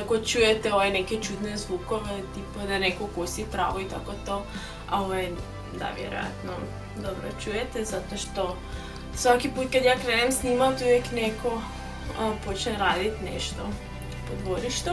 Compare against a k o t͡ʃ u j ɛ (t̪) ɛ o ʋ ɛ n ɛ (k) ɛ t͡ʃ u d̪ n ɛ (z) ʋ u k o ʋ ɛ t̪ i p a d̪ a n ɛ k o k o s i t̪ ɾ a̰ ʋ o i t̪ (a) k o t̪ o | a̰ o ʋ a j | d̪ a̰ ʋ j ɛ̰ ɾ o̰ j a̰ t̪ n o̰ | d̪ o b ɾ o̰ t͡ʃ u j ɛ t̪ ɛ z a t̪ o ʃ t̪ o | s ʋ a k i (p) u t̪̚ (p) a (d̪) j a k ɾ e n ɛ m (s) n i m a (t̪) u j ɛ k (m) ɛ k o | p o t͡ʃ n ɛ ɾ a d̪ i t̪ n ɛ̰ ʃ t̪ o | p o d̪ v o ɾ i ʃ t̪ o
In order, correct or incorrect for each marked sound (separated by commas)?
correct, correct, correct, correct, correct, incorrect, correct, correct, correct, incorrect